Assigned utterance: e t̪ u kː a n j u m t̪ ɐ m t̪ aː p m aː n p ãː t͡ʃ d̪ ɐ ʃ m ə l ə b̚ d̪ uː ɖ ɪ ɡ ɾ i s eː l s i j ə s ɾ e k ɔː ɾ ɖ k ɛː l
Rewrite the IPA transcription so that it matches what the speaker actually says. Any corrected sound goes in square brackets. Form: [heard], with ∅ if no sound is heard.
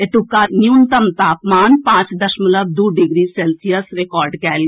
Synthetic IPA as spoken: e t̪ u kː a n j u [n] t̪ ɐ m t̪ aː p m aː n p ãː t͡ʃ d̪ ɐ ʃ m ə l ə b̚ d̪ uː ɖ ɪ ɡ ɾ i s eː l s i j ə s ɾ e k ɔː ɾ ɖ k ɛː l